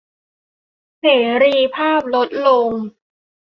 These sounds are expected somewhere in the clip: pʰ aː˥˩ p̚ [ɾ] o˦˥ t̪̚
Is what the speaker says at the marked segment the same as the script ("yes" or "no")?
no